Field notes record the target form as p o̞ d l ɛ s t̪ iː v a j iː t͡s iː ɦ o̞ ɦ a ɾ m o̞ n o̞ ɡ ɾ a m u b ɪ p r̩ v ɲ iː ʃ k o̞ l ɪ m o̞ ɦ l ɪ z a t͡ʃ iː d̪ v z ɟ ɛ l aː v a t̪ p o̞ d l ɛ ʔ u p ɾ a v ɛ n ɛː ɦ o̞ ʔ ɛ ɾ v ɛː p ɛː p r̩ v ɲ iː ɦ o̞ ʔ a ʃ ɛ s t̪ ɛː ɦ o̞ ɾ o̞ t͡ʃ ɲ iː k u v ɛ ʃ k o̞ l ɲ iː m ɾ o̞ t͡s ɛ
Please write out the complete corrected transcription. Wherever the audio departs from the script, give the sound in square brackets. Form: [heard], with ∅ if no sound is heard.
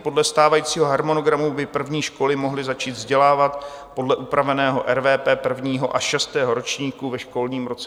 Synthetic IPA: p o̞ d l ɛ s t̪ [aː] v a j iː t͡s iː ɦ o̞ ɦ a ɾ m o̞ n o̞ ɡ ɾ a m u b ɪ p r̩ v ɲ iː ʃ k o̞ l ɪ m o̞ ɦ l ɪ z a t͡ʃ iː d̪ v z ɟ ɛ l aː v a t̪ p o̞ d l ɛ ʔ u p ɾ a v ɛ n ɛː ɦ o̞ ʔ ɛ ɾ v ɛː p ɛː p r̩ v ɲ iː ɦ o̞ ʔ a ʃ ɛ s t̪ ɛː ɦ o̞ ɾ o̞ t͡ʃ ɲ iː k u v ɛ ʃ k o̞ l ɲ iː m ɾ o̞ t͡s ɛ